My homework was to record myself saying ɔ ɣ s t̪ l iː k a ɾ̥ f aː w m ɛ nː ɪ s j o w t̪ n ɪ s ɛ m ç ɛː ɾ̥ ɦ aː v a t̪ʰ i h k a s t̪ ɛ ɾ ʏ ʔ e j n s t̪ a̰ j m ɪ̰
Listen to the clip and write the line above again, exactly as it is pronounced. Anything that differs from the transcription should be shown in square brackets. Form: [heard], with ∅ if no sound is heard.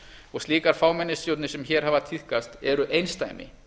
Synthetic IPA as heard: ɔ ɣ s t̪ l iː k a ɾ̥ f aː w m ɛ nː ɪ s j o w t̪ n ɪ s ɛ m ç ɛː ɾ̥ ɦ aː v a t̪ʰ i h k a s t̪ ɛ ɾ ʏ ʔ e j n s t̪ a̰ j m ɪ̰